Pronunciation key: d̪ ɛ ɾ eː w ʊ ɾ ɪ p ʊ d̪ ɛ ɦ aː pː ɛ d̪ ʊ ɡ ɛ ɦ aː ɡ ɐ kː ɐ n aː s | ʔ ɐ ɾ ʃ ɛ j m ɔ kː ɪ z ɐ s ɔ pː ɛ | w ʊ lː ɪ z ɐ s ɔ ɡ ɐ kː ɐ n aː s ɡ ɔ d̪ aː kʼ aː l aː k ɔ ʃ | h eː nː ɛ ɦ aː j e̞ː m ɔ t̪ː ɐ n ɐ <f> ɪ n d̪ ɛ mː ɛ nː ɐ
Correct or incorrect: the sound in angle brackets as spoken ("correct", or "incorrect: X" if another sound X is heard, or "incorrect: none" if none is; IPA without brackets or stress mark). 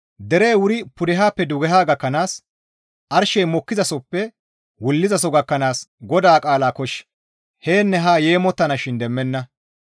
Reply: incorrect: ʃ